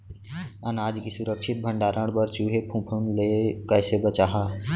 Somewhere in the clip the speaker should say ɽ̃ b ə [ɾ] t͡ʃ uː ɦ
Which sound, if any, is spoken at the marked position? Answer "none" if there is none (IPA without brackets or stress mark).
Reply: ɾ